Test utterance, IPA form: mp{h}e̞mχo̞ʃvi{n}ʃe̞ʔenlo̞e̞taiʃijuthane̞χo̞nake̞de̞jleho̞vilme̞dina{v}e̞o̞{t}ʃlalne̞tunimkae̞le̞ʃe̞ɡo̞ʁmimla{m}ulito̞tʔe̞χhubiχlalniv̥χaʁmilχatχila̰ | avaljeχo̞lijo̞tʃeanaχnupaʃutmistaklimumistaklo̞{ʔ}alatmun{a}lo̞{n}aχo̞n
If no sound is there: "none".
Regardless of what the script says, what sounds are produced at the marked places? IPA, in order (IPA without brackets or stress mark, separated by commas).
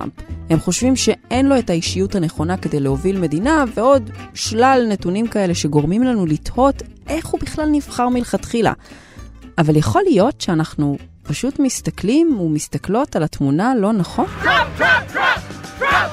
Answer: h, m, v, d, n, t, a, n